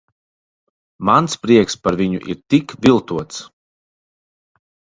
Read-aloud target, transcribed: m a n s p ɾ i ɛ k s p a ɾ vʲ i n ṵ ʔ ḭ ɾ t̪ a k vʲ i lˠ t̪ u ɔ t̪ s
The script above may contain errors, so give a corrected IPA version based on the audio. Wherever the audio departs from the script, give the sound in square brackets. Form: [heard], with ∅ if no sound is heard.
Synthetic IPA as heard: m a n s p ɾ i ɛ k s p a ɾ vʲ i [ɲ] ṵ ʔ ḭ ɾ t̪ [i] k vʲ i lˠ t̪ u ɔ t̪ s